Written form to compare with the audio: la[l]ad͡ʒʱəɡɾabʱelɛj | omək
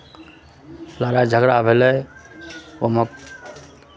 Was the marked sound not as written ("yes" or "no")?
yes